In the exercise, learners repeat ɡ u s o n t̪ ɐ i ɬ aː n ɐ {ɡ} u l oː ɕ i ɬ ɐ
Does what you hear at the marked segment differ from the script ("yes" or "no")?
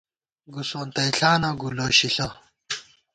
no